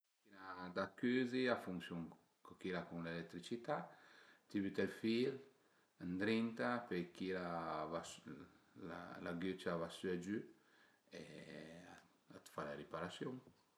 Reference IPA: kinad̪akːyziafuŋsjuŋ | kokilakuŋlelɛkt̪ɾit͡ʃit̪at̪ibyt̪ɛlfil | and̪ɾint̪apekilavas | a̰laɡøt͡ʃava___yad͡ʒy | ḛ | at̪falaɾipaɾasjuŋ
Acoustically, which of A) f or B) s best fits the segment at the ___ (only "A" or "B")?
B